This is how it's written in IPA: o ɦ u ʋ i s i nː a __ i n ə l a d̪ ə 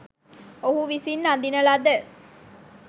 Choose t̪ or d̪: d̪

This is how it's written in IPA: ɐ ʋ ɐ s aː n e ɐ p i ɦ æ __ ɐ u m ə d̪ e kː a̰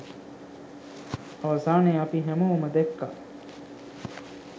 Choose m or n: m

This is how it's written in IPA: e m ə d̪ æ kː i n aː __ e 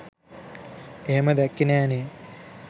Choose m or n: n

